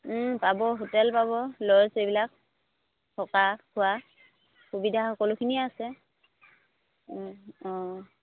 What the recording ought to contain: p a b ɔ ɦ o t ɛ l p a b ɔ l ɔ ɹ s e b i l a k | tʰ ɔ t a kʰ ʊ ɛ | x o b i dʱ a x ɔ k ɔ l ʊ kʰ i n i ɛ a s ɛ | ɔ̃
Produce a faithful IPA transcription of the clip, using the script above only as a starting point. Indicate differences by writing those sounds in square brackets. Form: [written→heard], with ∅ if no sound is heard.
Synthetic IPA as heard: p a b ɔ ɦ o t ɛ l p a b ɔ l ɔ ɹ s e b i l a k | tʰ ɔ [t→k] a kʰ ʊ [ɛ→a] | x [o→u] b i dʱ a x ɔ k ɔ l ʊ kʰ i n i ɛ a s ɛ | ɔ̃